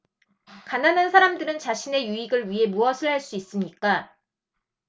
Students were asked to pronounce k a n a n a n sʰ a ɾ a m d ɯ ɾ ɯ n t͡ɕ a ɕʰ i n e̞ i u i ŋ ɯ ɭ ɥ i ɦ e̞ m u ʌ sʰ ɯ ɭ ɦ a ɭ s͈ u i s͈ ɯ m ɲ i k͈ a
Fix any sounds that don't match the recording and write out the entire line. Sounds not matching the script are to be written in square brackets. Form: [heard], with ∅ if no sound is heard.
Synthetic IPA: k a n a n a n sʰ a ɾ a m d ɯ ɾ ɯ n t͡ɕ a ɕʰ i n e̞ [j] u i [ɡ] ɯ ɭ ɥ i ɦ e̞ m u ʌ sʰ ɯ ɭ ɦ a ɭ s͈ u i s͈ ɯ m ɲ i k͈ a